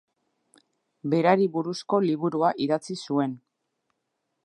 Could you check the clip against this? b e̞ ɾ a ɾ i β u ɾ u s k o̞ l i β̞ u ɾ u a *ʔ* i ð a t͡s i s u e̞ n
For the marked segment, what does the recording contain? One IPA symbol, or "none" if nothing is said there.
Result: ʔ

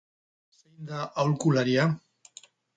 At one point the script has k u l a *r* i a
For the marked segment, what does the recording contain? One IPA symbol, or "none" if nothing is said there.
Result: ɾ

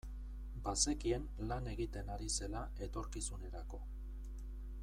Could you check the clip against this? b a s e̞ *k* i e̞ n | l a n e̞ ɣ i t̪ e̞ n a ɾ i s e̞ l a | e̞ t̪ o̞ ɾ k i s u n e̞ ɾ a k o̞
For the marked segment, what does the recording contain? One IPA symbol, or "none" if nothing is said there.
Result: k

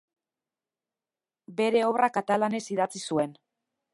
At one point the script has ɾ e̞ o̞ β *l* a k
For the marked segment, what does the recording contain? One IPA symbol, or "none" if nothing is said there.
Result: r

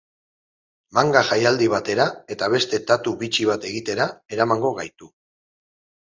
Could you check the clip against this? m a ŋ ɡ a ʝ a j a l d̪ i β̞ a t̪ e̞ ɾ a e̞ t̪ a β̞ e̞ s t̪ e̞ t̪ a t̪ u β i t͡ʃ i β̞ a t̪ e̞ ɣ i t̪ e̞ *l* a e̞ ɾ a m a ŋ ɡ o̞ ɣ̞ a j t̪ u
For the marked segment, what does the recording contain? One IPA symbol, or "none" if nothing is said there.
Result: ɾ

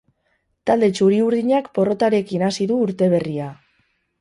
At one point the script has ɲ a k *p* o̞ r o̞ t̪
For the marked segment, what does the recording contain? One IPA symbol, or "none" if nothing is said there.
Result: p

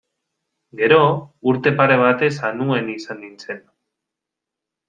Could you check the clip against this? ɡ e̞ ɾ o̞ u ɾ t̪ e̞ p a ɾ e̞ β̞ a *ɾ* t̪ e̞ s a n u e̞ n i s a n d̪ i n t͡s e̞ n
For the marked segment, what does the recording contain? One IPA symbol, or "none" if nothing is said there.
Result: none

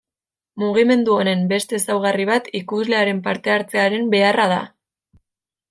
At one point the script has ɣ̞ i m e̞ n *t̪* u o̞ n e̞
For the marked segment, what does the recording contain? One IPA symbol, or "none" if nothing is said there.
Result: d̪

